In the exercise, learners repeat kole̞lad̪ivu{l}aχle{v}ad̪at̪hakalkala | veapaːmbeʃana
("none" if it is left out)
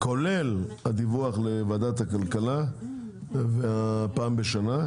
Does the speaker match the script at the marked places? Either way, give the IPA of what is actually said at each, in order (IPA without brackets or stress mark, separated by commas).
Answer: none, v